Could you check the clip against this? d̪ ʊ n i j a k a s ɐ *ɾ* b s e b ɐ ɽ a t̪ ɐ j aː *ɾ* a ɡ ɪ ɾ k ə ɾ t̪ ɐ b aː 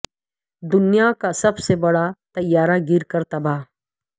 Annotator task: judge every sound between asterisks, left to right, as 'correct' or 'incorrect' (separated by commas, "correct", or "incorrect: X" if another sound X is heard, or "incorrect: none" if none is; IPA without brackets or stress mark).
incorrect: none, correct